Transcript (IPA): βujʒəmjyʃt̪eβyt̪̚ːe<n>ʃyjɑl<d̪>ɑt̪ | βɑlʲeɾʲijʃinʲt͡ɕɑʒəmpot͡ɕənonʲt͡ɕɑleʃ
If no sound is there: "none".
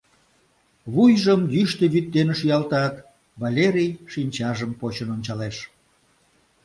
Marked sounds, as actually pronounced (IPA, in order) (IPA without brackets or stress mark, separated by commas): n, t̪